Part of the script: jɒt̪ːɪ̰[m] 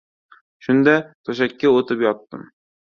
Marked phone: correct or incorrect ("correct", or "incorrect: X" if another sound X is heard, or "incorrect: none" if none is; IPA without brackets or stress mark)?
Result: correct